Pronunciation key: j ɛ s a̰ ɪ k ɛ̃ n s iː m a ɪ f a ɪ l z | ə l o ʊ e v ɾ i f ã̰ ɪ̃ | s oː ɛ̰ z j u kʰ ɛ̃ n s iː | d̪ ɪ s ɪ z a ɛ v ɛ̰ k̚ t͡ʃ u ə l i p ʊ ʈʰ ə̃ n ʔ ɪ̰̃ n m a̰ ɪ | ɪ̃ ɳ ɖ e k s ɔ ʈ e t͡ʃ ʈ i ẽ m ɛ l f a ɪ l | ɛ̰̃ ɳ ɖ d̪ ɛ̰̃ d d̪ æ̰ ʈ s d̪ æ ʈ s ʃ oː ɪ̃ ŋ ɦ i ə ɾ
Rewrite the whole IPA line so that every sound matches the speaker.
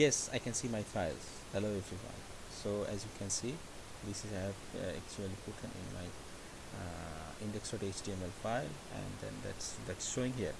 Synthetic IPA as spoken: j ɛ s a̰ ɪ k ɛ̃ n s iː m a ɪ f a ɪ l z | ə l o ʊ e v ɾ i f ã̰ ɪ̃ | s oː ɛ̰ z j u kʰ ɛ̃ n s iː | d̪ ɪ s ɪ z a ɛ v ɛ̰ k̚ t͡ʃ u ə l i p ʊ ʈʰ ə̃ n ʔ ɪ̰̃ n m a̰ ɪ | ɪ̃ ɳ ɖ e k s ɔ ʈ e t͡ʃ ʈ i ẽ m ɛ l f a ɪ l | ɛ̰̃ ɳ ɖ d̪ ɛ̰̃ n d̪ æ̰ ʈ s d̪ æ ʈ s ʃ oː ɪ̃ ŋ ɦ i ə ɾ